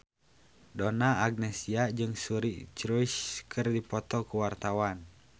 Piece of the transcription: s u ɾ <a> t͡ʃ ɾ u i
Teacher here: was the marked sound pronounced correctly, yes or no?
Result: no